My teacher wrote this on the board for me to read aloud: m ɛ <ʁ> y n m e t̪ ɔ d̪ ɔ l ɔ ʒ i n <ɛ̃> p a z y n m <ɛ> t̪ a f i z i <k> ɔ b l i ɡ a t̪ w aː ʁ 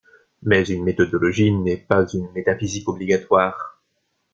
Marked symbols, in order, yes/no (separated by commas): no, no, no, yes